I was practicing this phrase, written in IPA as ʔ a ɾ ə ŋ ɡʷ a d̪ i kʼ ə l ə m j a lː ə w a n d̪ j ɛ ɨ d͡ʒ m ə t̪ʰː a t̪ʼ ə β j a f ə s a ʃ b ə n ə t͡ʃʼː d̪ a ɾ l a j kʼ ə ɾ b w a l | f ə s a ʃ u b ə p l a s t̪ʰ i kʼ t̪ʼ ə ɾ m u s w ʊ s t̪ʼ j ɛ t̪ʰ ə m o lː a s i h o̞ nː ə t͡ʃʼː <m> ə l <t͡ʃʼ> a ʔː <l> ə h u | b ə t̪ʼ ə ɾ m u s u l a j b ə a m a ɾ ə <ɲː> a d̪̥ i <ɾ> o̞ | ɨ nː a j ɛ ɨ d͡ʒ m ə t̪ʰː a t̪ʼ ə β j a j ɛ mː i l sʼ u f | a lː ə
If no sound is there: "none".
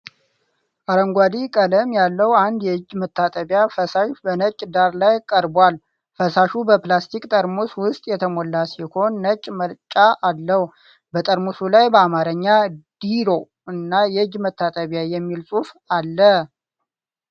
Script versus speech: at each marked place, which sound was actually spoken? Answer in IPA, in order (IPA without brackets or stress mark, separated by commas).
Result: m, t͡ʃʼ, lː, ɲː, ɾ